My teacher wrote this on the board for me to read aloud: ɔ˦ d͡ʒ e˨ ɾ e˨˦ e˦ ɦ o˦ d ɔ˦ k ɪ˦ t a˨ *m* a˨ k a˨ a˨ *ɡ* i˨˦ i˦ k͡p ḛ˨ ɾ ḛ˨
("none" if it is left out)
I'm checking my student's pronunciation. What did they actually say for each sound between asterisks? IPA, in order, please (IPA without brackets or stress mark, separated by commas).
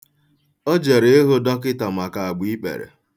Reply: m, ɡ͡b